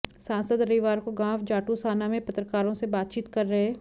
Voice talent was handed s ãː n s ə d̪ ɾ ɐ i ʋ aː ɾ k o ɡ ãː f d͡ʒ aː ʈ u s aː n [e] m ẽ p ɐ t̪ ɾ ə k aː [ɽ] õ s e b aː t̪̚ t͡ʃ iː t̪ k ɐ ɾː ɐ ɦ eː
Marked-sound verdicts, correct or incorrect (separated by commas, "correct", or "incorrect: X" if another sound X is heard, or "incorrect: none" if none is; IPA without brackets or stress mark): incorrect: a, incorrect: ɾ